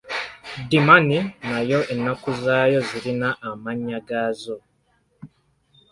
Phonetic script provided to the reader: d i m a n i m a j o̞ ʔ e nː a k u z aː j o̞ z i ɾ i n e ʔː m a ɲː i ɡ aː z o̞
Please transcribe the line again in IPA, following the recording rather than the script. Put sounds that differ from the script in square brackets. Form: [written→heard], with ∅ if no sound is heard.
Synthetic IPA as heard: d i m a n i [m→n] a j o̞ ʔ e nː a k u z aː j o̞ z i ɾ i n [e→a] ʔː m a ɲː [i→a] ɡ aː z o̞